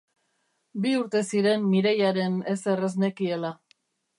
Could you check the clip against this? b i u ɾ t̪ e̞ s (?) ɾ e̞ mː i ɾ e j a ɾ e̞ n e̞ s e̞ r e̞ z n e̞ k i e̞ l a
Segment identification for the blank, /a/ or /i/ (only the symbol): i